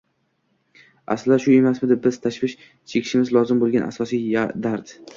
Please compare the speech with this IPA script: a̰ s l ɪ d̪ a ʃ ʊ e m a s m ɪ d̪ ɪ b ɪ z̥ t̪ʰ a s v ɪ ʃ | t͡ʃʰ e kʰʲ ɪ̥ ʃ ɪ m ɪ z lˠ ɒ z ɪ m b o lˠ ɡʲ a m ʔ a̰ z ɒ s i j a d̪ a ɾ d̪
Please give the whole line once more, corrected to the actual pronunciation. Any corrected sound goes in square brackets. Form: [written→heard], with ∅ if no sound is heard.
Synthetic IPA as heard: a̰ s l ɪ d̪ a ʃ ʊ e m a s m ɪ d̪ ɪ b ɪ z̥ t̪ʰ a [s→ʃ] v ɪ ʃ | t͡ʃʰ e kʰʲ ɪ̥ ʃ ɪ m ɪ z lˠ ɒ z ɪ m b o lˠ ɡʲ a [m→n] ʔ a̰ [z→s] ɒ s i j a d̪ a ɾ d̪